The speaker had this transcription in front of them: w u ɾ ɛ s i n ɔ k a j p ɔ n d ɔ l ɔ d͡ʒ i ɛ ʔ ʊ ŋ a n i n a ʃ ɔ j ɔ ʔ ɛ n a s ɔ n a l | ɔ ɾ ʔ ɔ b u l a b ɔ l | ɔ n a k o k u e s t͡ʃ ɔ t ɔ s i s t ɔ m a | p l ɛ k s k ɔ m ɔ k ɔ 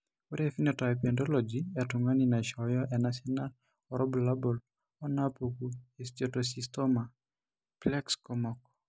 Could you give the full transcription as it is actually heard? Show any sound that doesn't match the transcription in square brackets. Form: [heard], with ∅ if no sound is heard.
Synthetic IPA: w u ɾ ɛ [f] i n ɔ [t] a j p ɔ n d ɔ l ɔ d͡ʒ i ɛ [t] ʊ ŋ a n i n a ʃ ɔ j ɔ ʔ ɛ n a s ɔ n a l | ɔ ɾ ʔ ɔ b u l a b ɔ l | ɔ n a [p] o k u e s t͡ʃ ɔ t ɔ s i s t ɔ m a | p l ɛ k s k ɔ m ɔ k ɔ